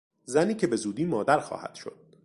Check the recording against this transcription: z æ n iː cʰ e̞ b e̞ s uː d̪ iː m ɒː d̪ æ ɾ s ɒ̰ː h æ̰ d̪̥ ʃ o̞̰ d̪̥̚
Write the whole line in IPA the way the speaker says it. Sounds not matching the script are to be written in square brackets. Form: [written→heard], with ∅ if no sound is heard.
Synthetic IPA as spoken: z æ n iː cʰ e̞ b e̞ [s→z] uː d̪ iː m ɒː d̪ æ ɾ [s→x] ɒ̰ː h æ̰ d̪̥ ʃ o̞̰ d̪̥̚